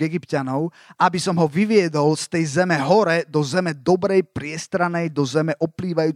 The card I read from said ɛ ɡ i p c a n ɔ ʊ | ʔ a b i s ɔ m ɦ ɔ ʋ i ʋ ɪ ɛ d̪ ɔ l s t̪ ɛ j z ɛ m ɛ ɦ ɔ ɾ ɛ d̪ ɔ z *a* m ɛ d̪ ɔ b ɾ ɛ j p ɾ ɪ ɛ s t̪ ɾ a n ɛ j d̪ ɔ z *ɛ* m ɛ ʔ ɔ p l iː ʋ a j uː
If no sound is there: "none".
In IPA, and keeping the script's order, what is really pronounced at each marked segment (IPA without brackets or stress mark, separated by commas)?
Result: ɛ, ɛ